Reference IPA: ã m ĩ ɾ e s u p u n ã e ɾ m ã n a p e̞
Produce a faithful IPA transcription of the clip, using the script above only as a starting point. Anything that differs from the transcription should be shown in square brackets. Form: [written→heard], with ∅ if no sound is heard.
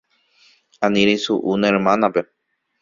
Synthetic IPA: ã [m→n] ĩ ɾ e s u [p→ʔ] u n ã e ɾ m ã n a p e̞